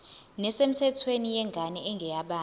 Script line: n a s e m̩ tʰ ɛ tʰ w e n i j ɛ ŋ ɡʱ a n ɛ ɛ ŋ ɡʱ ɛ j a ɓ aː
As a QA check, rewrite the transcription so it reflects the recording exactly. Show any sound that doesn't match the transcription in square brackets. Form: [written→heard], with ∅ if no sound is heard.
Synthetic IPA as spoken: n [a→ɛ] s e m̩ tʰ ɛ tʰ w e n i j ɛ ŋ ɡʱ a n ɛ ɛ ŋ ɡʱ ɛ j a ɓ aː